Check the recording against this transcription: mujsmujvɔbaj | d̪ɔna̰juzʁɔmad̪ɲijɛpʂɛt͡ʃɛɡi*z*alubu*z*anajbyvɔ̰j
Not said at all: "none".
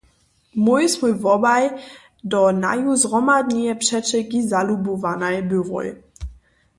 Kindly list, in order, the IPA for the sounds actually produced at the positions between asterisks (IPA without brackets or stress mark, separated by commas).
z, v